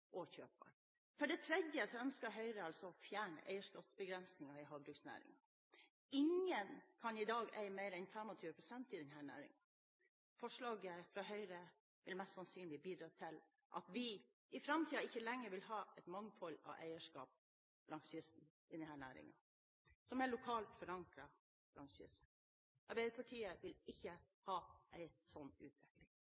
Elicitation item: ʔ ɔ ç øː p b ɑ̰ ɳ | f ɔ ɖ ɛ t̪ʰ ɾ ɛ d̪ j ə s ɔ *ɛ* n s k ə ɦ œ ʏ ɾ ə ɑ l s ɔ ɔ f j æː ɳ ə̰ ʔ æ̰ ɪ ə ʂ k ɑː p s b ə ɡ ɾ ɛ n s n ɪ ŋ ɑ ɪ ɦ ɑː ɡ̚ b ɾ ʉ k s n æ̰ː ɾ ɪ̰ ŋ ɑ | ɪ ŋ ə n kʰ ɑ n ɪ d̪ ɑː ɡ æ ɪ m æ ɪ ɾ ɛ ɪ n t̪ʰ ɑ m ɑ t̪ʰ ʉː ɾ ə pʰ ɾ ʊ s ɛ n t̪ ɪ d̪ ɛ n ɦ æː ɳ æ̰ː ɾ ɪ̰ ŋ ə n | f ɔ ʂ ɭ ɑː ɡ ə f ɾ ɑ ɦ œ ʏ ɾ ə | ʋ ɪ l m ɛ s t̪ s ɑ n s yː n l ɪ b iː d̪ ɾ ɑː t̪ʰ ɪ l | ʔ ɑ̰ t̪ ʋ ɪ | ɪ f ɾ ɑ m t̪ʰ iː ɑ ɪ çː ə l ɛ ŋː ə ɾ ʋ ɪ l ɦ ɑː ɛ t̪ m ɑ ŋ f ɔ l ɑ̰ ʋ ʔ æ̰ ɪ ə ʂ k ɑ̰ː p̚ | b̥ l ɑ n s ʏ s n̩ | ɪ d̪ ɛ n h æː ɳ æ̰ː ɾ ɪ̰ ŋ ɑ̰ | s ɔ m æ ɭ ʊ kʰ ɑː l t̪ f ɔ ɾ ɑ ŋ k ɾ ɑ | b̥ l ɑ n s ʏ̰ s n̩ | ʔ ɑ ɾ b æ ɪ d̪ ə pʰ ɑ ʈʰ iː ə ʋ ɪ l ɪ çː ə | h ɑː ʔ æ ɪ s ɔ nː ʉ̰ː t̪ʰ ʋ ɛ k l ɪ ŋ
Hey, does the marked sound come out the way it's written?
no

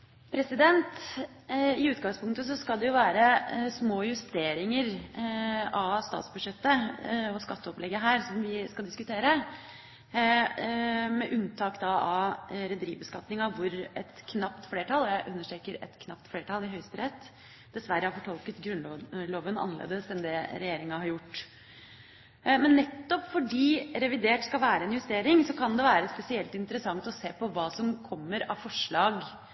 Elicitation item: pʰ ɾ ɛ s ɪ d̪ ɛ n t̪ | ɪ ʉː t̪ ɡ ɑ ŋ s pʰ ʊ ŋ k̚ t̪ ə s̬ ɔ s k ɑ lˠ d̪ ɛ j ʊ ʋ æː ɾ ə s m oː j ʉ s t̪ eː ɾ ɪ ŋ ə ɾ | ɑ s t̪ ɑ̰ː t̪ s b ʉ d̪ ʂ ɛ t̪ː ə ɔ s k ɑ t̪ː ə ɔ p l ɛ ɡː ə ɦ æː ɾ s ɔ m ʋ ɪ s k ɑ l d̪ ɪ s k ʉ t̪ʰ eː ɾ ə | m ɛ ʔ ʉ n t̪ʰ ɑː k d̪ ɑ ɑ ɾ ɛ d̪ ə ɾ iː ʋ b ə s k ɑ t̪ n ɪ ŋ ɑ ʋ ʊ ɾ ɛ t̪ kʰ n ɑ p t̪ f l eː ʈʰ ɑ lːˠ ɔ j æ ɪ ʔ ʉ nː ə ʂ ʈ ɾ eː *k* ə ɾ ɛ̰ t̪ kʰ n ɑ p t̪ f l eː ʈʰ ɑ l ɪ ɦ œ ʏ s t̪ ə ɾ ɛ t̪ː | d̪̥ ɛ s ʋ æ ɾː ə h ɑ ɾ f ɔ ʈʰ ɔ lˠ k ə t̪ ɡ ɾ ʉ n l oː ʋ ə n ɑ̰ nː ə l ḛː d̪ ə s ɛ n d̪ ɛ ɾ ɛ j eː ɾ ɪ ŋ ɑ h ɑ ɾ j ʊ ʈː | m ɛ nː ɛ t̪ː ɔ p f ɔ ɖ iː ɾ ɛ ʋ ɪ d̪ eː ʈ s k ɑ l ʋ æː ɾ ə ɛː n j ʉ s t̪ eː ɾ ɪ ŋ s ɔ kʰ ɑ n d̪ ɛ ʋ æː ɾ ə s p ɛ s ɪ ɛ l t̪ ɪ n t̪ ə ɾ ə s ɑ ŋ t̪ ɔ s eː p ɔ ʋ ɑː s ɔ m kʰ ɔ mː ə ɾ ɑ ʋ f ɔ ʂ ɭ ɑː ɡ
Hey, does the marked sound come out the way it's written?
yes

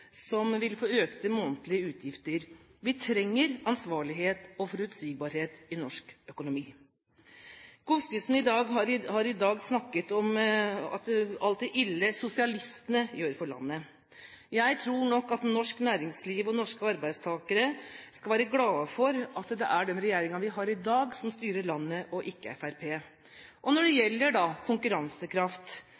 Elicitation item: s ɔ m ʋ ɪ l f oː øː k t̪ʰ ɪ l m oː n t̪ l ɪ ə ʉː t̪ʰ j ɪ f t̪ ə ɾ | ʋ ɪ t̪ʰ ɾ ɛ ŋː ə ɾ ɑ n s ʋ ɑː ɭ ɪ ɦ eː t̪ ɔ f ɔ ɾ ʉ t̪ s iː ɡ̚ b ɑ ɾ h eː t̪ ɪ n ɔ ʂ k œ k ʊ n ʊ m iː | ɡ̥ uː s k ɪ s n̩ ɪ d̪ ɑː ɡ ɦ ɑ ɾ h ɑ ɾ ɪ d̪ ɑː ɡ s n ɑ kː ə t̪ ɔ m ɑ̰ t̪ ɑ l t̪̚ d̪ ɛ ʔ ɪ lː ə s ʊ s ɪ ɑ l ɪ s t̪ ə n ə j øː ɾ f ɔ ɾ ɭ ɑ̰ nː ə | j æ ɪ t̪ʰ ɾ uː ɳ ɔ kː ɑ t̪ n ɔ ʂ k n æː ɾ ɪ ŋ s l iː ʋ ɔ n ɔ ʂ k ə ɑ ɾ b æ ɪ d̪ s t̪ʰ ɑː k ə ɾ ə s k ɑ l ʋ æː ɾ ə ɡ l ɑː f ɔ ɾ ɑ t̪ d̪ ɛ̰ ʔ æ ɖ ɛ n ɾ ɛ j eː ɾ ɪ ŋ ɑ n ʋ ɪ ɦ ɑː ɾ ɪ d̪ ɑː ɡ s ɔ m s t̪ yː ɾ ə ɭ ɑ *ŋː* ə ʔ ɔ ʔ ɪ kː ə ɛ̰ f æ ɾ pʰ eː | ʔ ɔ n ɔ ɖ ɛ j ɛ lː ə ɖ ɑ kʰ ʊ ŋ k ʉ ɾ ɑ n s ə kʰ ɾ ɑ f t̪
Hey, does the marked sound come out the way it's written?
no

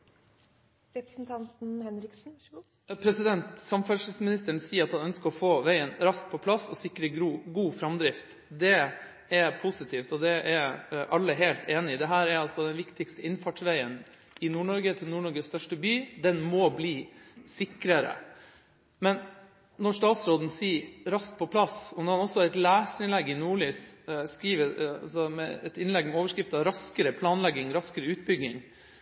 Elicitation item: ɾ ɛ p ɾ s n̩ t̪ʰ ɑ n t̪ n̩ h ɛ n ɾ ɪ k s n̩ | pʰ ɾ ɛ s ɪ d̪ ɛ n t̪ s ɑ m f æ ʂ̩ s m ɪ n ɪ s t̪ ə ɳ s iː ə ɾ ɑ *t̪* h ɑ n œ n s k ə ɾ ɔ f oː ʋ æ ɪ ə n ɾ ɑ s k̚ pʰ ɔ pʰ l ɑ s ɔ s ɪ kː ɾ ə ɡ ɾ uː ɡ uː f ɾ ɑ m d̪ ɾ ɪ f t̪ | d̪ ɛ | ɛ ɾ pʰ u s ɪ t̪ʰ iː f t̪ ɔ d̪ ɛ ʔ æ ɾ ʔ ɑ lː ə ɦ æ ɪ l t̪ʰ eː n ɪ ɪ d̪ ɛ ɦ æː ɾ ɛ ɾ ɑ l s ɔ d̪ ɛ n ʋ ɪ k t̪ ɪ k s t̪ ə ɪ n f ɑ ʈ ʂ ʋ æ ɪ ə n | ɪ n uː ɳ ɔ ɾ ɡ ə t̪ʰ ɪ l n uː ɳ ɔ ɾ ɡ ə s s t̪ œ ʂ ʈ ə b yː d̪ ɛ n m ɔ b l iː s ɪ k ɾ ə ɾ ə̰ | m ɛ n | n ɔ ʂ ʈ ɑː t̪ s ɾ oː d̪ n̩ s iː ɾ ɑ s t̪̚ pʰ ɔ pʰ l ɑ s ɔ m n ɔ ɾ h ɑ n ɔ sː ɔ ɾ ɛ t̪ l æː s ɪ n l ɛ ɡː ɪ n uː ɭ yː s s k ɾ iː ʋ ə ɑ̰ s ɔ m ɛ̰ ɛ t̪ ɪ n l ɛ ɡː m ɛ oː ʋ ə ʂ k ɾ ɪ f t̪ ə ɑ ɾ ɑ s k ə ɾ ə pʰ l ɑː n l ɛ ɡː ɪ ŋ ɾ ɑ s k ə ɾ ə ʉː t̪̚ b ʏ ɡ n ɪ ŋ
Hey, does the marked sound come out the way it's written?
yes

